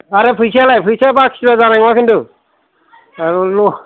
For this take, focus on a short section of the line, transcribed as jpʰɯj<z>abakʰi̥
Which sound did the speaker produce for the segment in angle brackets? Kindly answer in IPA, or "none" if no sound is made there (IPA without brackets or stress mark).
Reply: s